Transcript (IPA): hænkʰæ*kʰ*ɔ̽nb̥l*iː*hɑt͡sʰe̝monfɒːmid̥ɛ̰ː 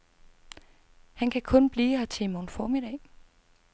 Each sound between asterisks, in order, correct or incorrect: correct, correct

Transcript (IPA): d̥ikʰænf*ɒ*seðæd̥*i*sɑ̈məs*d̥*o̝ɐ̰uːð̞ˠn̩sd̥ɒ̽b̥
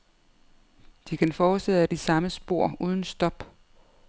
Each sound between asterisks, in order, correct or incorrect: incorrect, correct, incorrect

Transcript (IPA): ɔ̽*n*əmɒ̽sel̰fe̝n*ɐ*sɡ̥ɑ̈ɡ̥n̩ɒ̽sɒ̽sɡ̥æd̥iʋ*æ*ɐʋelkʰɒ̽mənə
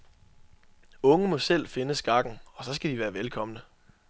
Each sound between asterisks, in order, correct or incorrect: incorrect, incorrect, incorrect

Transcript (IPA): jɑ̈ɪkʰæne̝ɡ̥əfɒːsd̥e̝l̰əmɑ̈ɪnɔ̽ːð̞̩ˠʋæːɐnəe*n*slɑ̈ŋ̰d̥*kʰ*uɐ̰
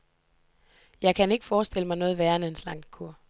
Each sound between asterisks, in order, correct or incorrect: correct, correct

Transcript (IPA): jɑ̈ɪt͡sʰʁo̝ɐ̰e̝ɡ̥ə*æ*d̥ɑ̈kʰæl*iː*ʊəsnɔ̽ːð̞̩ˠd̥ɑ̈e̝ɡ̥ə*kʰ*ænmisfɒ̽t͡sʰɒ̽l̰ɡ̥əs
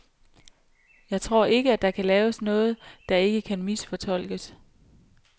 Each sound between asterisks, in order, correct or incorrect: correct, incorrect, correct

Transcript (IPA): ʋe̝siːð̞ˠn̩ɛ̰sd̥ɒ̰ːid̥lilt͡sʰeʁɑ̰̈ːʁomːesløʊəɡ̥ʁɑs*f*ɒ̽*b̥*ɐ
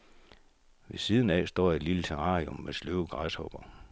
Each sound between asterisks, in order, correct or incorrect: incorrect, correct

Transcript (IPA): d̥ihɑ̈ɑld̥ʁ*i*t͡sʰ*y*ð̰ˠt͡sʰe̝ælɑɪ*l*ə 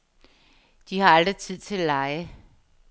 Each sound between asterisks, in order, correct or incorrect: correct, incorrect, incorrect

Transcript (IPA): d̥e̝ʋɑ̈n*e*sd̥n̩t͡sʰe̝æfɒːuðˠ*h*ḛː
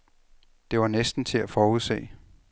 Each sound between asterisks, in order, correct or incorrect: correct, incorrect

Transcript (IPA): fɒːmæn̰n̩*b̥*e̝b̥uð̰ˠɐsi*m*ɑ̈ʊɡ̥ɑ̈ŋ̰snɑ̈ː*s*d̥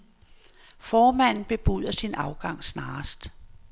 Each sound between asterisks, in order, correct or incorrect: correct, incorrect, correct

